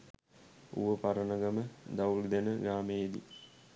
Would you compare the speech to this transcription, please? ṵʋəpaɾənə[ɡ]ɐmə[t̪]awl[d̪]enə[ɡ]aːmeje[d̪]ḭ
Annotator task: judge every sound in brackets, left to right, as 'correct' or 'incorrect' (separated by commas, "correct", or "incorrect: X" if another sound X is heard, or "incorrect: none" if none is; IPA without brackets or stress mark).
correct, incorrect: d̪, correct, correct, correct